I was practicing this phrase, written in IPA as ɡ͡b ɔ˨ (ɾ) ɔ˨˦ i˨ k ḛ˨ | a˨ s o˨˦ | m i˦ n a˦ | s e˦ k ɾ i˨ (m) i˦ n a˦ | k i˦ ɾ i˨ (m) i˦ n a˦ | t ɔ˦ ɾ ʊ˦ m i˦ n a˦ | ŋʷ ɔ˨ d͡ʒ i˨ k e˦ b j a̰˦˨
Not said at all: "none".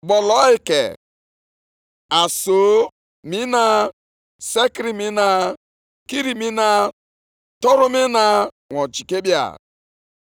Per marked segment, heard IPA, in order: l, m, m

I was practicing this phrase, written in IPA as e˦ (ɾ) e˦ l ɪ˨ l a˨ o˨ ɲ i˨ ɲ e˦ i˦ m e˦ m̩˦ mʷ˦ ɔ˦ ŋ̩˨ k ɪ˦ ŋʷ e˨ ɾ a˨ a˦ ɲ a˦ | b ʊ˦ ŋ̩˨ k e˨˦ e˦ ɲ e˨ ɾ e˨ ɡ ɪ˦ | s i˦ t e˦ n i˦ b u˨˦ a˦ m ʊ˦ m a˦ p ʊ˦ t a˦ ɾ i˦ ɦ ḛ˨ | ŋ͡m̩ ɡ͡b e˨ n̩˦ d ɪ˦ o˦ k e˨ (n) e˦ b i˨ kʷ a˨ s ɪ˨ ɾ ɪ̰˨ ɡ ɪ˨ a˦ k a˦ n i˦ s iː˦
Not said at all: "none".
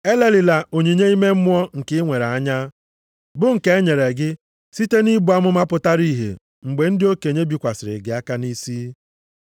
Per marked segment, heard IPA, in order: l, ɲ

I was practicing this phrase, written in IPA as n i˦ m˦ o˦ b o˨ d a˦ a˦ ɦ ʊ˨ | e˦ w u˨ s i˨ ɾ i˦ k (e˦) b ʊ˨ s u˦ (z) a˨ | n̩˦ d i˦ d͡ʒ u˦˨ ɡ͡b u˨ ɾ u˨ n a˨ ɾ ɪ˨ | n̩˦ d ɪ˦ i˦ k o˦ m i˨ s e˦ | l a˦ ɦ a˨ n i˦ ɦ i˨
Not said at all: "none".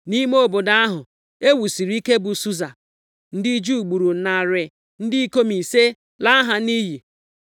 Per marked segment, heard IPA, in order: e˦, z

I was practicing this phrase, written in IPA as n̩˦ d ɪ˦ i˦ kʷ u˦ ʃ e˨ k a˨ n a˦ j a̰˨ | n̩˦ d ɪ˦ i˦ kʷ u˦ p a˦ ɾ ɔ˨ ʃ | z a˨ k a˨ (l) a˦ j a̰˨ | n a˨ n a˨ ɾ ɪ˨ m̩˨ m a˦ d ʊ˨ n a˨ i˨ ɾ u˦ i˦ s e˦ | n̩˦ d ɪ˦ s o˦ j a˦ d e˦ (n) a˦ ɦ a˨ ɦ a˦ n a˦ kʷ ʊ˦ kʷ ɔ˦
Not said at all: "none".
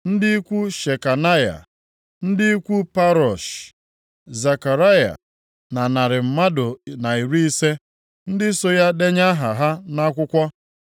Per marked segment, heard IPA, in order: ɾ, ɲ

